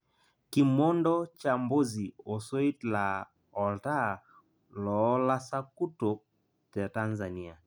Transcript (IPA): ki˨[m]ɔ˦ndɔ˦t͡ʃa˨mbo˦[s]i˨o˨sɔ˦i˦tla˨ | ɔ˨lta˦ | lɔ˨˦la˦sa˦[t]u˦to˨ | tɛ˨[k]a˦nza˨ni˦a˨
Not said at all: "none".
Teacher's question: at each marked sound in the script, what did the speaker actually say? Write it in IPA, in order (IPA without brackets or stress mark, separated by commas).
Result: m, z, k, t